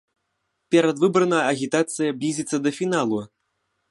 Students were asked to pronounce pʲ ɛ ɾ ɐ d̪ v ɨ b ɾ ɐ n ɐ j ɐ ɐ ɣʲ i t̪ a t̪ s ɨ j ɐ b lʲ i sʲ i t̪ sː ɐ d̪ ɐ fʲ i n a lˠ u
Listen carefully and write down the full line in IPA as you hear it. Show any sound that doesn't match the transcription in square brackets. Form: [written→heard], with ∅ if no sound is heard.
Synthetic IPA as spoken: pʲ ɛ ɾ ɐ d̪ v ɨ b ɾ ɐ n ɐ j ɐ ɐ ɣʲ i t̪ a t̪ s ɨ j ɐ b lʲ i [sʲ→zʲ] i t̪ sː ɐ d̪ ɐ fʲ i n a lˠ u